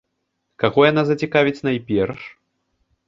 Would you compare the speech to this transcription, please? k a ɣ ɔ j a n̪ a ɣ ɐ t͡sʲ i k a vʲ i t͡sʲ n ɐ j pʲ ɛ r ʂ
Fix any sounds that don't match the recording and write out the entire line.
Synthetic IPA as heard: k a ɣ ɔ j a n̪ a z ɐ t͡sʲ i k a vʲ i t͡sʲ n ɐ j pʲ ɛ r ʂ

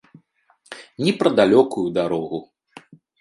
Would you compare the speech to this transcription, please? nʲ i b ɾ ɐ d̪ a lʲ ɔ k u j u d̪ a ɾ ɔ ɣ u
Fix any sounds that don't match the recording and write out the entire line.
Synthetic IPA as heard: nʲ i p ɾ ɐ d̪ a lʲ ɔ k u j u d̪ a ɾ ɔ ɣ u

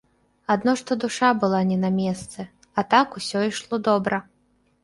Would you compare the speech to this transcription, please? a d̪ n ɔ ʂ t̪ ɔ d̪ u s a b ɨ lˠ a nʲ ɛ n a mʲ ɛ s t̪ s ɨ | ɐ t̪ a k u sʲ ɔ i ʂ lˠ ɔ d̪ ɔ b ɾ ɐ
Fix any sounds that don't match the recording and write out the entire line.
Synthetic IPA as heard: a d̪ n ɔ ʂ t̪ ɔ d̪ u ʂ a b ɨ lˠ a nʲ ɛ n a mʲ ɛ s t̪ s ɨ | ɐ t̪ a k u sʲ ɔ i ʂ lˠ ɔ d̪ ɔ b ɾ ɐ

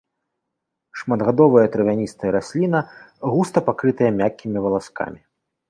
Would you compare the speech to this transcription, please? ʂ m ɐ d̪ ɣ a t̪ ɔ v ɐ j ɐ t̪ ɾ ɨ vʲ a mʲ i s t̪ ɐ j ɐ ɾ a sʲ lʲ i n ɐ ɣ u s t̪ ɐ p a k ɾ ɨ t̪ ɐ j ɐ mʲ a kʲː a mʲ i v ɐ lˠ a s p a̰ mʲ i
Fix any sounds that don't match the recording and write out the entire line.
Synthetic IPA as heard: ʂ m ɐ d̪ ɣ a d̪ ɔ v ɐ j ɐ t̪ ɾ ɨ vʲ a nʲ i s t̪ ɐ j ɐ ɾ a sʲ lʲ i n ɐ ɣ u s t̪ ɐ p a k ɾ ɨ t̪ ɐ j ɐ mʲ a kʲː i mʲ i v ɐ lˠ a s k a̰ mʲ i

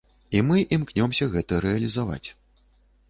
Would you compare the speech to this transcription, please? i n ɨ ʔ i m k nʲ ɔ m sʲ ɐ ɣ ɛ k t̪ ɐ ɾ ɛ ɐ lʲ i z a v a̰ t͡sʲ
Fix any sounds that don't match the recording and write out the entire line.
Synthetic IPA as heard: i m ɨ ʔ i m k nʲ ɔ m sʲ ɐ ɣ ɛ t̪ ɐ ɾ ɛ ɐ lʲ i z a v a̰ t͡sʲ

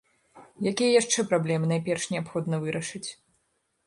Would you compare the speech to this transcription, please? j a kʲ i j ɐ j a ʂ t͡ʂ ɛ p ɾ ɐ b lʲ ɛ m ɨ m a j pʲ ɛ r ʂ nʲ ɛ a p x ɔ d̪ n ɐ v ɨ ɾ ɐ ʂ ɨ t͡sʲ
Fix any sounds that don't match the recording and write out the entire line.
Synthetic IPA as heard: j a kʲ i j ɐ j a ʂ t͡ʂ ɛ p ɾ a b lʲ ɛ m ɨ n a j pʲ ɛ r ʂ nʲ ɛ a p x ɔ d̪ n ɐ v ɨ ɾ ɐ ʂ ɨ t͡sʲ

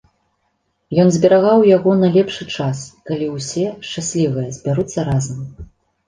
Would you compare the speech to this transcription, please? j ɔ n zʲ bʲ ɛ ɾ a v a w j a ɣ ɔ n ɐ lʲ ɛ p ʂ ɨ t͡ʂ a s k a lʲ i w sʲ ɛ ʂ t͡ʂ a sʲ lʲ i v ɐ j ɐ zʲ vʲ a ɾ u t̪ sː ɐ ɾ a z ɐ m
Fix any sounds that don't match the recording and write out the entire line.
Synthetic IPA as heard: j ɔ n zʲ bʲ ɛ ɾ a ɣ a w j a ɣ ɔ n ɐ lʲ ɛ p ʂ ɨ t͡ʂ a s k a lʲ i w sʲ ɛ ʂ t͡ʂ a sʲ lʲ i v ɐ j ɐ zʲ bʲ a ɾ u t̪ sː ɐ ɾ a z ɐ m

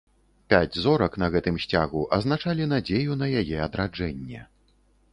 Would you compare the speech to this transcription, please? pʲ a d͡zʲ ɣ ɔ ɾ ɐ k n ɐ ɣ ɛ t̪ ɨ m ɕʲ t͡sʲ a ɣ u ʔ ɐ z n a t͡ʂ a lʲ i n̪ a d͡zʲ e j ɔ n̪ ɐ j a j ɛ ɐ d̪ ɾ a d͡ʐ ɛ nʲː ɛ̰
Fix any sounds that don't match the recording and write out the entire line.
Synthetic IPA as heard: pʲ a d͡zʲ z ɔ ɾ ɐ k n ɐ ɣ ɛ t̪ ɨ m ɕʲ t͡sʲ a ɣ u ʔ ɐ z n a t͡ʂ a lʲ i n̪ a d͡zʲ e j u n̪ ɐ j a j ɛ ɐ d̪ ɾ a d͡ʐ ɛ nʲː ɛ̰

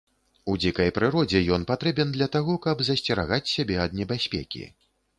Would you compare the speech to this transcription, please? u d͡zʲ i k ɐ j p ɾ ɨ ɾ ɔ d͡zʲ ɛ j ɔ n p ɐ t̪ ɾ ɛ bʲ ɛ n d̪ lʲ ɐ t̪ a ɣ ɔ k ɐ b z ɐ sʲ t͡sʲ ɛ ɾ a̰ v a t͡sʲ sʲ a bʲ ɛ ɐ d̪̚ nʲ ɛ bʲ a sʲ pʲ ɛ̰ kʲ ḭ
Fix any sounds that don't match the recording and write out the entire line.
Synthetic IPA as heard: u d͡zʲ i k ɐ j p ɾ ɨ ɾ ɔ d͡zʲ ɛ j ɔ n p a t̪ ɾ ɛ bʲ ɛ n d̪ lʲ ɐ t̪ a ɣ ɔ k ɐ b z ɐ sʲ t͡sʲ ɛ ɾ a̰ ɣ a t͡sʲ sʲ a bʲ ɛ ɐ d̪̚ nʲ ɛ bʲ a sʲ pʲ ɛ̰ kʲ ḭ

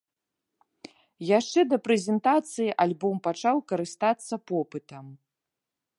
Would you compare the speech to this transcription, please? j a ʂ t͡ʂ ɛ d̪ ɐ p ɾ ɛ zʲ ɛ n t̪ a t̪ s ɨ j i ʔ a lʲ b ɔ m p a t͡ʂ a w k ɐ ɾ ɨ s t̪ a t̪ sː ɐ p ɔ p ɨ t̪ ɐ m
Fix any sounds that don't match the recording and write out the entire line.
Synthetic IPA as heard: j a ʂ t͡ʂ ɛ d̪ ɐ p ɾ ɛ zʲ ɛ n t̪ a t̪ s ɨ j i ʔ a lʲ b ɔ m p a t͡ʂ a w k ɐ ɾ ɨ s t̪ a t̪ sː ɐ p ɔ p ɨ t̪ ɐ m

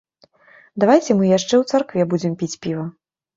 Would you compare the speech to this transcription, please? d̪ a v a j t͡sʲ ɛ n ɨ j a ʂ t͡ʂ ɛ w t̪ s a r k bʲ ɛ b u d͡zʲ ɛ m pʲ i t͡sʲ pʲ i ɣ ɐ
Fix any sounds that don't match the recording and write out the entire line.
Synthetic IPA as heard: d̪ a v a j t͡sʲ ɛ m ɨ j a ʂ t͡ʂ ɛ w t̪ s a r k vʲ ɛ b u d͡zʲ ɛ m pʲ i t͡sʲ pʲ i v ɐ

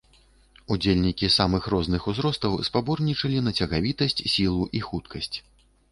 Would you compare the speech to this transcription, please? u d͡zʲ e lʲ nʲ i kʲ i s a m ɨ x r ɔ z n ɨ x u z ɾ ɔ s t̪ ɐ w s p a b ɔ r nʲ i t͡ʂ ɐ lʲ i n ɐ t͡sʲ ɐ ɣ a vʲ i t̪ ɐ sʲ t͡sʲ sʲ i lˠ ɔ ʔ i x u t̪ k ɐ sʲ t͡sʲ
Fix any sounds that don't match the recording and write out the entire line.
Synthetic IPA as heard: u d͡zʲ e lʲ nʲ i kʲ i s a m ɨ x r ɔ z n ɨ x u z ɾ ɔ s t̪ ɐ w s p a b ɔ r nʲ i t͡ʂ ɐ lʲ i n ɐ t͡sʲ ɐ ɣ a vʲ i t̪ ɐ sʲ t͡sʲ sʲ i lˠ u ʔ i x u t̪ k ɐ sʲ t͡sʲ

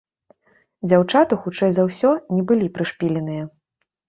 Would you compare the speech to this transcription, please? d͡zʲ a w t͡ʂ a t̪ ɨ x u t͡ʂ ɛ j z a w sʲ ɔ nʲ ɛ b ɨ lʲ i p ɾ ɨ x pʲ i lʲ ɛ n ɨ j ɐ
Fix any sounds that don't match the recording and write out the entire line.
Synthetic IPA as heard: d͡zʲ a w t͡ʂ a t̪ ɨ x u t͡ʂ ɛ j z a w sʲ ɔ nʲ ɛ b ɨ lʲ i p ɾ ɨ ʂ pʲ i lʲ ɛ n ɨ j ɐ

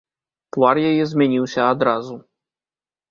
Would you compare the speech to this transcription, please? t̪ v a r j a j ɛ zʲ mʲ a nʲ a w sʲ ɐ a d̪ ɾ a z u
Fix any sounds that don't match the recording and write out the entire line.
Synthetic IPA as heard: t̪ v a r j a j ɛ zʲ mʲ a nʲ i w sʲ ɐ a d̪ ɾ a z u

